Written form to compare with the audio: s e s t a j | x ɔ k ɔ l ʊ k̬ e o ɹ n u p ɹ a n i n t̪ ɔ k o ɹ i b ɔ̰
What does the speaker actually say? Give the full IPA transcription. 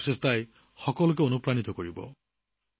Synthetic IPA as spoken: s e s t a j | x ɔ k ɔ l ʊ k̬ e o n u p ɹ a n i t̪ ɔ k o ɹ i b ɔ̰